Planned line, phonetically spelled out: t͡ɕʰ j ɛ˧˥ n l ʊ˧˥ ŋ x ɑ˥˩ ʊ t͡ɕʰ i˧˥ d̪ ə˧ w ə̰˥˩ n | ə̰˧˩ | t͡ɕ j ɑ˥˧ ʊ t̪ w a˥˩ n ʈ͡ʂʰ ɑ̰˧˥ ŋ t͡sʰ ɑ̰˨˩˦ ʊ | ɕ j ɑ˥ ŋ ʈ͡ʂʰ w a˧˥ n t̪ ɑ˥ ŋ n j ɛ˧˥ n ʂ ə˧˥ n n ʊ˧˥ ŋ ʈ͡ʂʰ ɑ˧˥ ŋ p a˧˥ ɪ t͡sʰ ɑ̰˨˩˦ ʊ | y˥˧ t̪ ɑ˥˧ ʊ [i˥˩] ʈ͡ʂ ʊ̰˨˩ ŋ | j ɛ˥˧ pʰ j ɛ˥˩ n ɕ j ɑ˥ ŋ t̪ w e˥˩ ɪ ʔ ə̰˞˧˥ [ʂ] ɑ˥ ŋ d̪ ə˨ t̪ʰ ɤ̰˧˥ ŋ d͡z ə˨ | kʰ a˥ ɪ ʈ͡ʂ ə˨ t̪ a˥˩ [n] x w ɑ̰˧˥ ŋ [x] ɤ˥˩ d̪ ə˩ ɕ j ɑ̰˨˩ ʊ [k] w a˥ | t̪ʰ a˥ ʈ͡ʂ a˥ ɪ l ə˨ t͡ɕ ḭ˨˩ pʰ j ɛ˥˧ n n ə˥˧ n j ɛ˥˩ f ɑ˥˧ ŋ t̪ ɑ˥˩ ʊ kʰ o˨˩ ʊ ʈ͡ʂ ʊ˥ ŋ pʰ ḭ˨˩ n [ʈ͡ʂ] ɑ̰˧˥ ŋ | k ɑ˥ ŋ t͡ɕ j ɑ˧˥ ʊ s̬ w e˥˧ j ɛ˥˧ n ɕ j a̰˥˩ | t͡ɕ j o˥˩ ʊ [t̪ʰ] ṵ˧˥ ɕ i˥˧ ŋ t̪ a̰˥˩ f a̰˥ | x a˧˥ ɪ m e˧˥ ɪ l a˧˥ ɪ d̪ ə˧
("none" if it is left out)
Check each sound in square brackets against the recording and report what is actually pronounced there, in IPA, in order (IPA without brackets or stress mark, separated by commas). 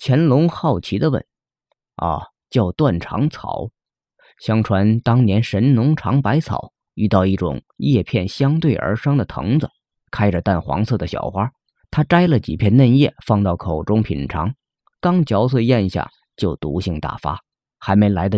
i˥˩, ʂ, n, s, x, ʈ͡ʂʰ, t̪